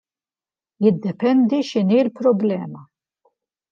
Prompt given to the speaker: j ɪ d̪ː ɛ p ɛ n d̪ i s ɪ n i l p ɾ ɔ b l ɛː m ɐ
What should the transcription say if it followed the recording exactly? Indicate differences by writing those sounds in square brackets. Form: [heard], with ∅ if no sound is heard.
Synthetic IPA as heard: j ɪ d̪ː ɛ p ɛ n d̪ i [ʃ] ɪ n i l p ɾ ɔ b l ɛː m ɐ